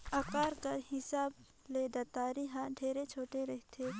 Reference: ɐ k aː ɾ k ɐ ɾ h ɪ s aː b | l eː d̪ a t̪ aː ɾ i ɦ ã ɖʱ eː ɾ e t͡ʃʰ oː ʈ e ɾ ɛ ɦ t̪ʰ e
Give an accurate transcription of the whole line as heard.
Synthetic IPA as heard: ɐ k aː ɾ k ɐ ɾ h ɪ s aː b | l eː d̪ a t̪ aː ɾ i ɦ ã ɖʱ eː ɾ e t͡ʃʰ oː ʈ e ɾ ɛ ɦ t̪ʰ e